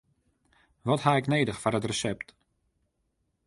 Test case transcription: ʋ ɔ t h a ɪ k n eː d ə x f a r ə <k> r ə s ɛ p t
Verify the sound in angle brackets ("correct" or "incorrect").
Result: incorrect